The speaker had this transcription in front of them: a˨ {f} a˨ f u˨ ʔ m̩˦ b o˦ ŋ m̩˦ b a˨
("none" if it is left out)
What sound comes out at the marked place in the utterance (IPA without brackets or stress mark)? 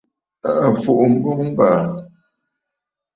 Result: none